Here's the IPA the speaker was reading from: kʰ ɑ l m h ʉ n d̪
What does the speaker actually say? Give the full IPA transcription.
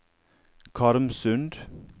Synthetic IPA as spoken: kʰ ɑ ɾ m s ʉ n d̪